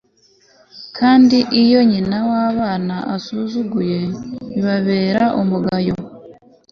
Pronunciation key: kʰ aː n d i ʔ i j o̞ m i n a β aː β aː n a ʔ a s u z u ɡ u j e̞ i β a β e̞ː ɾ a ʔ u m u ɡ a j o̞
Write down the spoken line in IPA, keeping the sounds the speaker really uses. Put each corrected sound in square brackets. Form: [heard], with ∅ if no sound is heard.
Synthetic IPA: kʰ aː n d i ʔ i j o̞ [ɲ] i n a [w] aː β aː n a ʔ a s u z u ɡ u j e̞ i β a β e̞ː ɾ a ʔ u m u ɡ a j o̞